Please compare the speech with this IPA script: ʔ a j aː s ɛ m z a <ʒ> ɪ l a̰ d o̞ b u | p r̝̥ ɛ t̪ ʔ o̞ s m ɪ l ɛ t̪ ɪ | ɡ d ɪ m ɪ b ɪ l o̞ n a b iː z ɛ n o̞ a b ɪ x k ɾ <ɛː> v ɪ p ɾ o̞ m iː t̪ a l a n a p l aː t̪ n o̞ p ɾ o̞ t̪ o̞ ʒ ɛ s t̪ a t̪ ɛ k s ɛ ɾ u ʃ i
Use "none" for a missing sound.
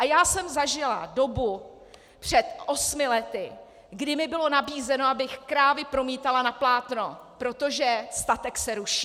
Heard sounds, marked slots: ʒ, aː

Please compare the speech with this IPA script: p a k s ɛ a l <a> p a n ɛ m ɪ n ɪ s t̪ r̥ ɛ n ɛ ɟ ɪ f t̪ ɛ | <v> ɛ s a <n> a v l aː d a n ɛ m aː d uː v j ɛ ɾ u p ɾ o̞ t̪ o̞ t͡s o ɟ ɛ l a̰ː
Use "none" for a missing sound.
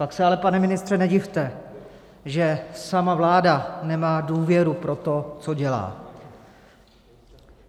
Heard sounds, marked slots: ɛ, ʒ, m

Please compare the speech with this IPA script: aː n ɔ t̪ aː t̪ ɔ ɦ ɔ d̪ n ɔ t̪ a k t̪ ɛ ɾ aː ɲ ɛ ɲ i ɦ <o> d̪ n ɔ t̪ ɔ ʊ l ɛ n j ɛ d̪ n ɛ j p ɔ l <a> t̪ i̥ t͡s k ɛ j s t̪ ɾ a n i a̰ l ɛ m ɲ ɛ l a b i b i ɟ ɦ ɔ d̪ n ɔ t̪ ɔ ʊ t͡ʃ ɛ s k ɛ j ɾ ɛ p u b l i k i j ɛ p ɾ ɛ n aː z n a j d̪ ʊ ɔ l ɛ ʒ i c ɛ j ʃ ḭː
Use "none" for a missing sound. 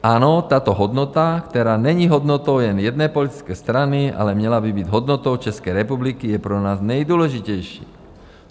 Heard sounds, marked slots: ɔ, i

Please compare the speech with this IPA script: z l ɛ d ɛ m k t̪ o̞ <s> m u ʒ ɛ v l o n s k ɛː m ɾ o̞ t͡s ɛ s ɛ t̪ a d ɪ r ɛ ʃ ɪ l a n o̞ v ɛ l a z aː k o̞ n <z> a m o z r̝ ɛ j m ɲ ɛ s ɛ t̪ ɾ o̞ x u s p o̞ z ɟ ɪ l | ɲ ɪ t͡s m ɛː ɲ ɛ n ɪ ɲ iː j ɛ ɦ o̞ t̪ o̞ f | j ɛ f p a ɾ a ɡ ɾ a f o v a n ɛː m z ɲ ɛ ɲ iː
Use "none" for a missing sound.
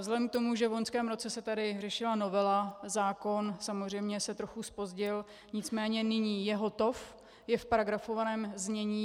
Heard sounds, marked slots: none, s

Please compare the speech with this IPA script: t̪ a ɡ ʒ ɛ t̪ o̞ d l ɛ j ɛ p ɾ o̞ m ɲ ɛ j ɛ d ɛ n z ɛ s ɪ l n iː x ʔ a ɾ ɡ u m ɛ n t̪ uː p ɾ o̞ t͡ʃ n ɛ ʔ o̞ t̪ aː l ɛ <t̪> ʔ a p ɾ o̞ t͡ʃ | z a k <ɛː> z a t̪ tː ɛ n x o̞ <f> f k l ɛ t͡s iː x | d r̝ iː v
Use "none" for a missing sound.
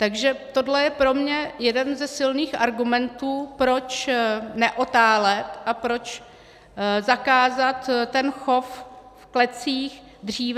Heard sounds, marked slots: t̪, aː, f

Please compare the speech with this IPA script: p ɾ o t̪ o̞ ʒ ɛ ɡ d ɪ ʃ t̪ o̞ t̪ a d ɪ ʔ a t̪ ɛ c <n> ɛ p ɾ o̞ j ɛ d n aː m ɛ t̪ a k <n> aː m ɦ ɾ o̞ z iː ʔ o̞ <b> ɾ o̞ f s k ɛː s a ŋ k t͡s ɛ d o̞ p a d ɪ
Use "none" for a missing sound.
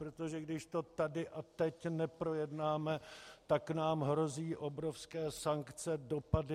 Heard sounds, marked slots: n, n, b

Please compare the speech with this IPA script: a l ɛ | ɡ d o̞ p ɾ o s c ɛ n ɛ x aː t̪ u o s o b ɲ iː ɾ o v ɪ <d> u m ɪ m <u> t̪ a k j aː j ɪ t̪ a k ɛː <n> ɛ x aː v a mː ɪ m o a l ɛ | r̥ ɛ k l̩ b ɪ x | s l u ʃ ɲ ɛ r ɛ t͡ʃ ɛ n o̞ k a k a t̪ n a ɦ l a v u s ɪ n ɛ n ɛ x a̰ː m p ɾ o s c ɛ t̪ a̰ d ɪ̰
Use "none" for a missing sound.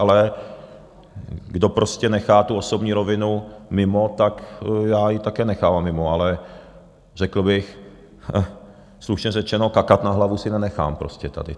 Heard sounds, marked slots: n, o, n

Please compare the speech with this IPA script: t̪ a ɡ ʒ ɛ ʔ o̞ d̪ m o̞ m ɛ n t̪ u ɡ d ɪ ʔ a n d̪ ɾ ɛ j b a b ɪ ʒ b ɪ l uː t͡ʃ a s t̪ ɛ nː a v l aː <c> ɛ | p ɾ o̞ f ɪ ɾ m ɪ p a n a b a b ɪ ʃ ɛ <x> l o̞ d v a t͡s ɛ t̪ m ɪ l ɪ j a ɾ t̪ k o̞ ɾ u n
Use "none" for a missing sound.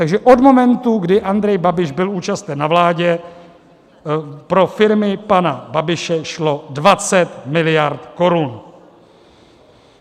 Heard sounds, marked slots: ɟ, ʃ

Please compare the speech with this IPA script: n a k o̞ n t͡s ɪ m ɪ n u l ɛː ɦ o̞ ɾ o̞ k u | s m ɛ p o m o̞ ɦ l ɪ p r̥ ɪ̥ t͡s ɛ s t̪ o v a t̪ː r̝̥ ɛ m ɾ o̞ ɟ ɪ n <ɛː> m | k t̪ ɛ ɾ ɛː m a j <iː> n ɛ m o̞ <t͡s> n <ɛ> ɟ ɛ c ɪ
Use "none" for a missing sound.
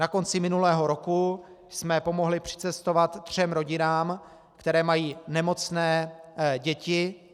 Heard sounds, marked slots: aː, iː, t͡s, ɛː

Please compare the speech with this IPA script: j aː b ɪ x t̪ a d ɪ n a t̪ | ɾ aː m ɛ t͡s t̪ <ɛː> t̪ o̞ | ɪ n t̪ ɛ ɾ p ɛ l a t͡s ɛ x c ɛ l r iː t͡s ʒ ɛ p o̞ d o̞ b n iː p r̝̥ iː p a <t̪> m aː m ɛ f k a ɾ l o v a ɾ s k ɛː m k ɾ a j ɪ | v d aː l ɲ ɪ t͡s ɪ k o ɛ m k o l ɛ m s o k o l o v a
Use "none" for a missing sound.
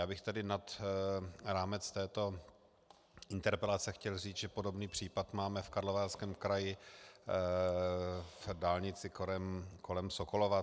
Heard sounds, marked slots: ɛː, t̪

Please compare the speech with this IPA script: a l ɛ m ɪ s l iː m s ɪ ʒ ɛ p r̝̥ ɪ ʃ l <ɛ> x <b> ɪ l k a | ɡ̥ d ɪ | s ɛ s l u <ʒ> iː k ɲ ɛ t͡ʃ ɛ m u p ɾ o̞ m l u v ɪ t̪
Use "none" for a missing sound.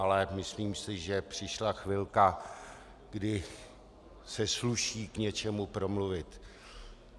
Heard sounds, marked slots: a, v, ʃ

